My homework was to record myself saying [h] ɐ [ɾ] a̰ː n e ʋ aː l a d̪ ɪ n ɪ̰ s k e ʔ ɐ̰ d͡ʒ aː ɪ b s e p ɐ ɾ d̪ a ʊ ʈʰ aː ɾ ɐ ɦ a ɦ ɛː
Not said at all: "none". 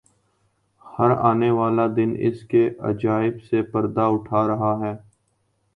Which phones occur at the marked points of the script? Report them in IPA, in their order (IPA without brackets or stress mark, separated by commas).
h, ɾ